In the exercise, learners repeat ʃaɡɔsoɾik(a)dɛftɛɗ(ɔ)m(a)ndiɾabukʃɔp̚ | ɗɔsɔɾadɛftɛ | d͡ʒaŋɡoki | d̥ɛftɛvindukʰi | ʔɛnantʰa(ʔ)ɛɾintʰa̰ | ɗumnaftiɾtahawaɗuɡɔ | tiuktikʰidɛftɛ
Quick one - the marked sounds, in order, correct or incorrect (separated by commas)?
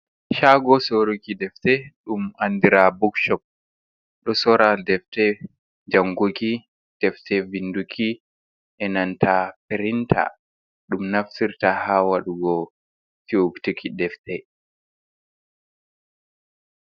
incorrect, incorrect, correct, incorrect